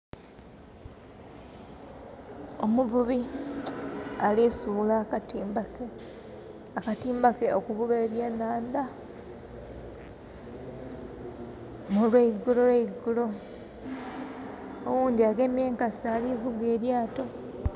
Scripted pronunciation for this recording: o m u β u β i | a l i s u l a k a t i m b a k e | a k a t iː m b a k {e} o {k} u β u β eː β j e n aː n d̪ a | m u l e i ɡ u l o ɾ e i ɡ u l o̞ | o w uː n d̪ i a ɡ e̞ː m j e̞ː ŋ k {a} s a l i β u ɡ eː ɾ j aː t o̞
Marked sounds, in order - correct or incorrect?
correct, correct, correct

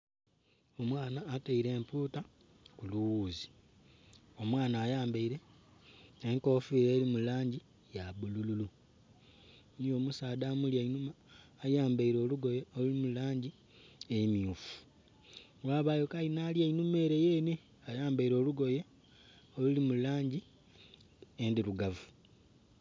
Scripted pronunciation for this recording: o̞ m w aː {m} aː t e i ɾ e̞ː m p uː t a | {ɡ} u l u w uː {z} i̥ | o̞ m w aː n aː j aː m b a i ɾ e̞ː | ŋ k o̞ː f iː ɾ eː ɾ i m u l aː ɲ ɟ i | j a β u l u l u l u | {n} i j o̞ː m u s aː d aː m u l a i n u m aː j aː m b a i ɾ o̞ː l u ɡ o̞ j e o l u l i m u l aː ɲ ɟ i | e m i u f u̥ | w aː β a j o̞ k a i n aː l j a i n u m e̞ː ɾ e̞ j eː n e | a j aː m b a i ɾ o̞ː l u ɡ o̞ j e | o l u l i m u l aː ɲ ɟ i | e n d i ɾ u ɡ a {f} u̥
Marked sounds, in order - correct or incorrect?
incorrect, incorrect, correct, correct, incorrect

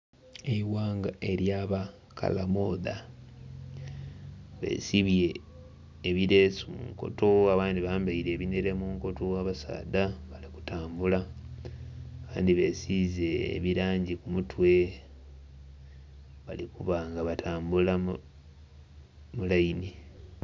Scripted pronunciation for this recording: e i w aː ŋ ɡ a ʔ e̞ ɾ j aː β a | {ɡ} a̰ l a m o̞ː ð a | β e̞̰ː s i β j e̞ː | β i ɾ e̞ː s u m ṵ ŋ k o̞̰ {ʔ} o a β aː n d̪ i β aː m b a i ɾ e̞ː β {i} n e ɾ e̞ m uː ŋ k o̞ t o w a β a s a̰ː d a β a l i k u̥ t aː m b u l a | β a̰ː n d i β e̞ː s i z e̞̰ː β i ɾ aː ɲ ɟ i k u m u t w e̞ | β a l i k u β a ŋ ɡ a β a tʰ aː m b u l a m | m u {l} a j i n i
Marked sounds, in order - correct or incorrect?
incorrect, incorrect, correct, correct

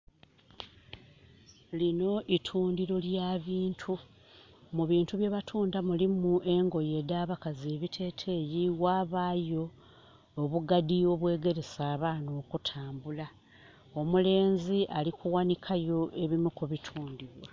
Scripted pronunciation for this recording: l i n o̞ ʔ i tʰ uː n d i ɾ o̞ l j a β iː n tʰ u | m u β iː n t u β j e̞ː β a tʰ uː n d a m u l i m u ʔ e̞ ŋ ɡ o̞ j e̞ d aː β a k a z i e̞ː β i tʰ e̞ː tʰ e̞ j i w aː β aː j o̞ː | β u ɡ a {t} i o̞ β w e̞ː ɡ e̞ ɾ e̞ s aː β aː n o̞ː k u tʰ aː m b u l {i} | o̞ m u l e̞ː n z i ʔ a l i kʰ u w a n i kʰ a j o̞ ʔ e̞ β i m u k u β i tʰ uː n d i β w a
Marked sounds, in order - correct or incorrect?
incorrect, incorrect

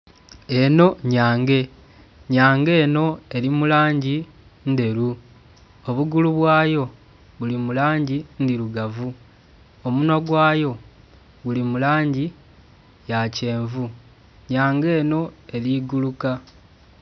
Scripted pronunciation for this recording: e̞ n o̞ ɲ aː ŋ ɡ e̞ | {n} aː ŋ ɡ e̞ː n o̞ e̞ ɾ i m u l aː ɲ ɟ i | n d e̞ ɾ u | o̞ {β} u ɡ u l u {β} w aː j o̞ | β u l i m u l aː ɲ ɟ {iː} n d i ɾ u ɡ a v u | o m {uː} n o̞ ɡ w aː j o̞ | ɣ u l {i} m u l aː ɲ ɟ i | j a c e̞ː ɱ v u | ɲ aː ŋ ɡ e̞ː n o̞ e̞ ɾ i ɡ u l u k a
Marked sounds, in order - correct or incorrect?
incorrect, correct, correct, incorrect, incorrect, correct

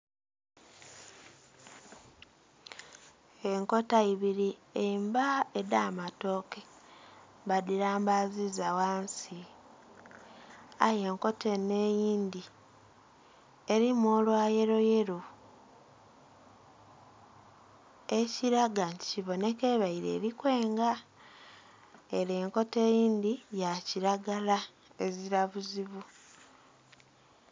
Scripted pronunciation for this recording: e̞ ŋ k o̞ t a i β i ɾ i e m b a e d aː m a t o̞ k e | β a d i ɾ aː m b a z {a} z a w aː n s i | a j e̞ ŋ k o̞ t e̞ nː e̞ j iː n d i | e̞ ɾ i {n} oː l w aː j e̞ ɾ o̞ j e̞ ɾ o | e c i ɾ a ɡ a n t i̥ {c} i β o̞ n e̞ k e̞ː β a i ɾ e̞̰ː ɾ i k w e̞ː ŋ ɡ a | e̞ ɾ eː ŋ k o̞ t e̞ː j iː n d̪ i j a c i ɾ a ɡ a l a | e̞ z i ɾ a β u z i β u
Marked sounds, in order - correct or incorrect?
incorrect, incorrect, correct

